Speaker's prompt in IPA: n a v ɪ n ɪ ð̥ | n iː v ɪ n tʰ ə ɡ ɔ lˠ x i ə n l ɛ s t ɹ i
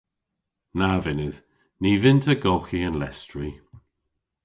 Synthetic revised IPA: n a v ɪ n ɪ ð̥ | n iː v ɪ n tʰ ə ɡ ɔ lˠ x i ə n l ɛ s t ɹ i

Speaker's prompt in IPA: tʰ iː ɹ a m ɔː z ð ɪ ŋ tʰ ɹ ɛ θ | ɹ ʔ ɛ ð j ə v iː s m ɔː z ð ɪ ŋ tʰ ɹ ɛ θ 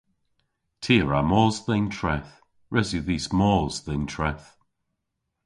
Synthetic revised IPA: tʰ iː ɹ a m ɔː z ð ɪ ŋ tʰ ɹ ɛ θ | ɹ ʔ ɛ z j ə ð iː s m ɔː z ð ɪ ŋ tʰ ɹ ɛ θ

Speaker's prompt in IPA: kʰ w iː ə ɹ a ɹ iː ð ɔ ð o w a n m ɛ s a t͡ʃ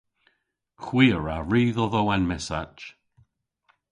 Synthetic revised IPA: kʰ w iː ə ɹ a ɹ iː ð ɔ ð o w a n m ɛ s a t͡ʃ

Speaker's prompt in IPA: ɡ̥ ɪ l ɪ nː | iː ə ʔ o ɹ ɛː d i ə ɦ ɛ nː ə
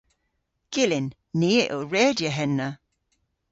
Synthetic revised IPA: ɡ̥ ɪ l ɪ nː | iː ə ʔ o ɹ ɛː d j ə ɦ ɛ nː ə

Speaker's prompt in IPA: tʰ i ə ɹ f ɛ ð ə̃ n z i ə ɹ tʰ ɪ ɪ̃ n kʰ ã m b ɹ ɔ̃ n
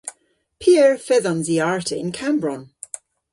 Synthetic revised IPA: pʰ i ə ɹ f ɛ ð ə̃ n z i a ɹ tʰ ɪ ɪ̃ n kʰ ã m b ɹ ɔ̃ n

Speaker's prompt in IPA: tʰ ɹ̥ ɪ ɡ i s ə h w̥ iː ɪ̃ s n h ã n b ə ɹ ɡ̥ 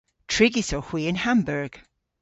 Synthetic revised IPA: tʰ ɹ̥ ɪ ɡ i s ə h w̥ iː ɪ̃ n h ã m b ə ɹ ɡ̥

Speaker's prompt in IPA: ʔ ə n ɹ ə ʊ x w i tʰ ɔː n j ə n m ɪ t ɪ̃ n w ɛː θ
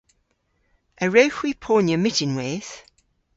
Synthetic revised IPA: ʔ ə ɹ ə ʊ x w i pʰ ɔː n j ə m ɪ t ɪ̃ n w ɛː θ

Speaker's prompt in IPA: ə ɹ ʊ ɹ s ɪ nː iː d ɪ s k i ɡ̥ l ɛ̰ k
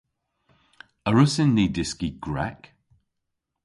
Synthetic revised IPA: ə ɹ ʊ s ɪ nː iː d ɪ s k i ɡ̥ ɹ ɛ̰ k

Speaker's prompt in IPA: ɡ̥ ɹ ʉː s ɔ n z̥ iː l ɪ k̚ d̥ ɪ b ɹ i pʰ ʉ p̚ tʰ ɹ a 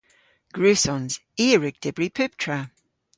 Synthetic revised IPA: ɡ̥ ɹ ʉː s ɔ n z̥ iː ɹ ɪ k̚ d̥ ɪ b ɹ i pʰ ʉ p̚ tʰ ɹ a

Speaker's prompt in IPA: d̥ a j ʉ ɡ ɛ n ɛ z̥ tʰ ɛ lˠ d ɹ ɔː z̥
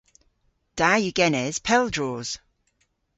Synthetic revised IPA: d̥ a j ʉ ɡ ɛ n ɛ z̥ pʰ ɛ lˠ d ɹ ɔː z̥

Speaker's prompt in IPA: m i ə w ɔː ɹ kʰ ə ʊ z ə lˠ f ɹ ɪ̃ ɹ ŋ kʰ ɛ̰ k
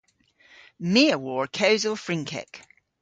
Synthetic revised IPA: m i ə w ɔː ɹ kʰ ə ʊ z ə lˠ f ɹ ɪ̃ ŋ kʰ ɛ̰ k

